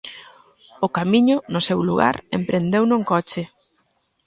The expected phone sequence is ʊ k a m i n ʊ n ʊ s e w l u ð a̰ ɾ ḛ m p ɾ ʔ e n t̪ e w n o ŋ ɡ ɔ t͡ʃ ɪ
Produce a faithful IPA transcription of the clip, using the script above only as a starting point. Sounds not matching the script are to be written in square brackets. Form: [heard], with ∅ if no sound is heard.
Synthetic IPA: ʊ k a m i [ɲ] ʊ n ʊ s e w l u [ɣ] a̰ ɾ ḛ m p ɾ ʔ e n [d̪] e w n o ŋ [k] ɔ t͡ʃ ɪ